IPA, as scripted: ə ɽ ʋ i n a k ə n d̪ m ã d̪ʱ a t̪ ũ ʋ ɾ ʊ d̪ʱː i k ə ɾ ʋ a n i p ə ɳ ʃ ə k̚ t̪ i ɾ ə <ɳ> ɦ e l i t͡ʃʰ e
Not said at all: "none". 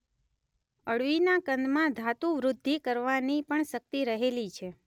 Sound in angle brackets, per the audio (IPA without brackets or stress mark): none